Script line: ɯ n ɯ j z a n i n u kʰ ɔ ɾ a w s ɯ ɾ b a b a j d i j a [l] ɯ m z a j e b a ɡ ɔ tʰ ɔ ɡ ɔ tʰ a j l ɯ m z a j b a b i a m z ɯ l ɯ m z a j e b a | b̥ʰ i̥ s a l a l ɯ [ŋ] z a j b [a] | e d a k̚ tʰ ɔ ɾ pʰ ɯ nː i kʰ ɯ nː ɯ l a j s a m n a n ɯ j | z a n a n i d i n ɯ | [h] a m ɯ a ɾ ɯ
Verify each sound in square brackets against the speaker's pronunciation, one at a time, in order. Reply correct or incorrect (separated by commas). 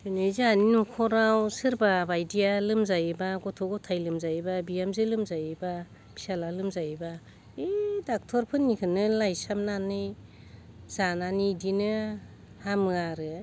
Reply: correct, incorrect, correct, correct